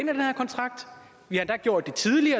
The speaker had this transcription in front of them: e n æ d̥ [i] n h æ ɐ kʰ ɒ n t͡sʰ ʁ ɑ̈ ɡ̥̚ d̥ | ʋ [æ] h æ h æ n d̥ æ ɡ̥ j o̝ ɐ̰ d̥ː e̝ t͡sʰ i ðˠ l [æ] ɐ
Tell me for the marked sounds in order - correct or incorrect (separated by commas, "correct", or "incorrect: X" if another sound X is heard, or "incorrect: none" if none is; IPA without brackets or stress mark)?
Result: incorrect: e, incorrect: i, incorrect: i